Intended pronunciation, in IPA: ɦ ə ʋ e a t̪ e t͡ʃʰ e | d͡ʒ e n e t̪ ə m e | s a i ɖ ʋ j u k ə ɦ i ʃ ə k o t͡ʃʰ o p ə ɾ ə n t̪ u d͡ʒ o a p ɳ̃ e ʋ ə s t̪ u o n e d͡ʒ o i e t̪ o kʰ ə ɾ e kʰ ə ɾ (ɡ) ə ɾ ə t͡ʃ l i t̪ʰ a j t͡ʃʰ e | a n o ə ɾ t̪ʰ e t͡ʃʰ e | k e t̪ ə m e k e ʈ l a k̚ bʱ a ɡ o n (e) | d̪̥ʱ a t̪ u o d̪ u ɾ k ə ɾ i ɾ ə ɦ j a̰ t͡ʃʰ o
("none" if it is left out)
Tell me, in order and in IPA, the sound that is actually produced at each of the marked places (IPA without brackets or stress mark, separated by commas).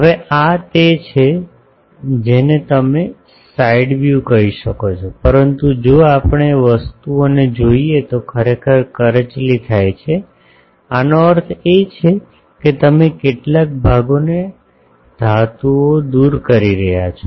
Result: k, e